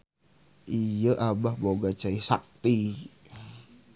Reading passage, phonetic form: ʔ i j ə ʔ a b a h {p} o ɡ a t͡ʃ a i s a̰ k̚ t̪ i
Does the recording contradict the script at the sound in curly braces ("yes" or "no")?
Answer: yes